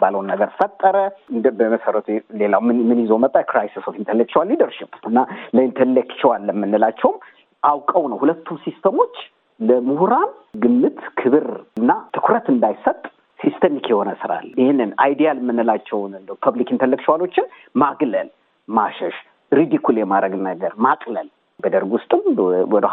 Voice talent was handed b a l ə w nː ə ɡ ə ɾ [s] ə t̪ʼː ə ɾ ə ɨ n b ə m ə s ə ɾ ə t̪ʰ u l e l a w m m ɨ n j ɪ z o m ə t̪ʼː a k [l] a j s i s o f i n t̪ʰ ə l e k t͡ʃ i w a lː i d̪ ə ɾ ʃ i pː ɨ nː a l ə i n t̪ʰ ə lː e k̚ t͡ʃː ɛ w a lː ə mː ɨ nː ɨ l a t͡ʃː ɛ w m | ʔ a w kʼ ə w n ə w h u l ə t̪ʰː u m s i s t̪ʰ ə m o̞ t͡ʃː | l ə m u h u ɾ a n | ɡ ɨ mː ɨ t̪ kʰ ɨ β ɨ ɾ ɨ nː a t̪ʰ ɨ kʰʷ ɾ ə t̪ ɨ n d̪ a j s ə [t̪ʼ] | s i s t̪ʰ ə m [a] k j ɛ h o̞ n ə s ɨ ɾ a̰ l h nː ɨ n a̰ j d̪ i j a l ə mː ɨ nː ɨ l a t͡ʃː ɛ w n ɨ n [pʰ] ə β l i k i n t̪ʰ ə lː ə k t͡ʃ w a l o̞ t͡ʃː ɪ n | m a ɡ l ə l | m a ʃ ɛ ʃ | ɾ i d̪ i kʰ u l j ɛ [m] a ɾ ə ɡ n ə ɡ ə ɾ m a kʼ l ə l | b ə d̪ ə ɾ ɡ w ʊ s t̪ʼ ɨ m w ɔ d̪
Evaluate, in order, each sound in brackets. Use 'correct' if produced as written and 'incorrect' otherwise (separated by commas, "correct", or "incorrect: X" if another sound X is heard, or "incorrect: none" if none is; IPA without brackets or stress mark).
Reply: incorrect: f, incorrect: ɾ, correct, incorrect: i, correct, correct